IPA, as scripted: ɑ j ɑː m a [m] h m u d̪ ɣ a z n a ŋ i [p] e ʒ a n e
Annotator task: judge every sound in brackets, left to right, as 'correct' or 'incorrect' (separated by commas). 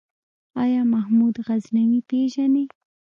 incorrect, correct